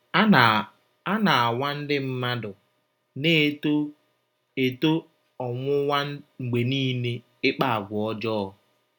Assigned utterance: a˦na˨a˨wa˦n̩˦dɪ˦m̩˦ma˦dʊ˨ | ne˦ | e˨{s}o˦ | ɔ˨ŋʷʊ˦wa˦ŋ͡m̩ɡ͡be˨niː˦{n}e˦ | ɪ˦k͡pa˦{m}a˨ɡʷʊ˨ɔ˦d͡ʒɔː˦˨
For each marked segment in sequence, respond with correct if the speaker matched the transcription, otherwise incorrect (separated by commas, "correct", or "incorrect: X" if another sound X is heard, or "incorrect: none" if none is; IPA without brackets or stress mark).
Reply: incorrect: t, correct, incorrect: none